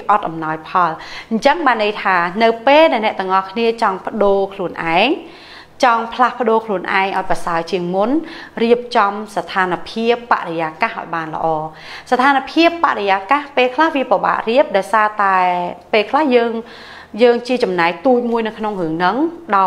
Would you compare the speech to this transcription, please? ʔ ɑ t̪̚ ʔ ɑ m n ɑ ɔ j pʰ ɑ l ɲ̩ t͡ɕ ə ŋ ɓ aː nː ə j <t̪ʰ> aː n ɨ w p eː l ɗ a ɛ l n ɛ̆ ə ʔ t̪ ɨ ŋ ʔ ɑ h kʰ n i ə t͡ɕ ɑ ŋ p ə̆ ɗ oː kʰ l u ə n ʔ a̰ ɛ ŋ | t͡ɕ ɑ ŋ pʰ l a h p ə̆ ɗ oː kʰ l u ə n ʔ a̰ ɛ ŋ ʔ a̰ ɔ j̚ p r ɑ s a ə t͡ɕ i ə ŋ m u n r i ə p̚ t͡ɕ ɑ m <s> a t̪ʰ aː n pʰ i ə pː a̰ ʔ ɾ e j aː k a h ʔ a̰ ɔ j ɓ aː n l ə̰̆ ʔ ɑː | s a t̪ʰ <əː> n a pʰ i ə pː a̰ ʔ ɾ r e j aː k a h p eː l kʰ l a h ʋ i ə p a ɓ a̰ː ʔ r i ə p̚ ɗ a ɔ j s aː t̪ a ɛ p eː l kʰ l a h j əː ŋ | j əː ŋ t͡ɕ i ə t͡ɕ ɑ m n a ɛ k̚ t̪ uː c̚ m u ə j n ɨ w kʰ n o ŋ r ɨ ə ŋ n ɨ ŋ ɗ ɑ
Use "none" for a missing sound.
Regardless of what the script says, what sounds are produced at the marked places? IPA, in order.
t̪ʰ, s, aː

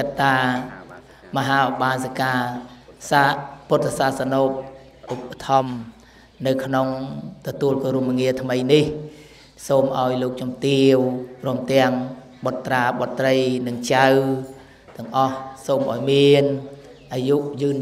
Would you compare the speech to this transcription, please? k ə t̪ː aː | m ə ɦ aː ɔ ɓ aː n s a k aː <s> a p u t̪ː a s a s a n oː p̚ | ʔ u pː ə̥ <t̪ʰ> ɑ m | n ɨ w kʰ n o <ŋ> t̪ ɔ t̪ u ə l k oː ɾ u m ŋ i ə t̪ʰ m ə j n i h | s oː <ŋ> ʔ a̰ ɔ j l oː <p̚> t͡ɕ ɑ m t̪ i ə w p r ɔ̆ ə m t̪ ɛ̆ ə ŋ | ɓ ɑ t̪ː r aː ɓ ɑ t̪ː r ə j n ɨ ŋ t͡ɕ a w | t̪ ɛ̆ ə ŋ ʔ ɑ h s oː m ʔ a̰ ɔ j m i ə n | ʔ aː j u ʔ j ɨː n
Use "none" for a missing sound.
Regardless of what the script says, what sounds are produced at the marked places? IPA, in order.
s, t̪ʰ, ŋ, m, k̚

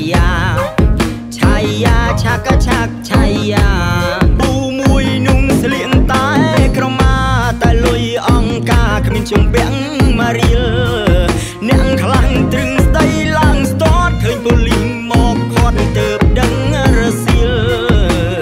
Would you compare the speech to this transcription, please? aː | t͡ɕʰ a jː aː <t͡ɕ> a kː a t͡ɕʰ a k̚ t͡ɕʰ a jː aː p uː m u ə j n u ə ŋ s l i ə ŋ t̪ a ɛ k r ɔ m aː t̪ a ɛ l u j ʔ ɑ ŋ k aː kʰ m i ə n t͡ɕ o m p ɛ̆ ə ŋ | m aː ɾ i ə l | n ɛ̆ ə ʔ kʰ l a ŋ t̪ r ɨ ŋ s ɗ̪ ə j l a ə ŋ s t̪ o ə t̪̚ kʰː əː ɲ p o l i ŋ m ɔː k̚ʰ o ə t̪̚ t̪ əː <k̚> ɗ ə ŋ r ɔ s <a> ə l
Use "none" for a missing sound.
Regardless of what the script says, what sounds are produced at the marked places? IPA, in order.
t͡ɕʰ, p̚, i

